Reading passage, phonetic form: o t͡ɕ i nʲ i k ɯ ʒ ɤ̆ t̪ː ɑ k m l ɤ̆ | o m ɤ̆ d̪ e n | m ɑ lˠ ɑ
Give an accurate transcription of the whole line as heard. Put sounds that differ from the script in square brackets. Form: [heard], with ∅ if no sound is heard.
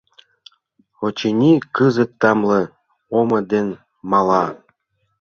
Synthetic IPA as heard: o t͡ɕ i nʲ i k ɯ [z] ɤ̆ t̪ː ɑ [∅] m l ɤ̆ | o m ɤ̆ d̪ e n | m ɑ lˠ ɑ